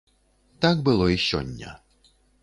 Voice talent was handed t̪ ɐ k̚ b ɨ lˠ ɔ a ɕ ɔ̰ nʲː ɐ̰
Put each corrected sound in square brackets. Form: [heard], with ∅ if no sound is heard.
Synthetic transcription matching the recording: t̪ [a] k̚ b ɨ lˠ ɔ [i] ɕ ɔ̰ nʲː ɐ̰